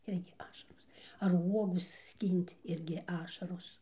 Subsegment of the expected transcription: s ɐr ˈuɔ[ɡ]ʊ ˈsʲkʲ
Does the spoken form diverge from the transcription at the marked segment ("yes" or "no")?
no